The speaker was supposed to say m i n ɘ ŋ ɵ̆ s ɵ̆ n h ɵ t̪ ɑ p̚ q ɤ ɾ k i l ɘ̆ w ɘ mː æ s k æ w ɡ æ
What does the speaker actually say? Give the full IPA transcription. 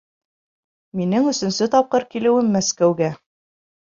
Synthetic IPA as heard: m i n ɘ ŋ ɵ̆ s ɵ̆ n s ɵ t̪ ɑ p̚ q ɤ ɾ k i l ɘ̆ w ɘ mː æ s k æ w ɡ æ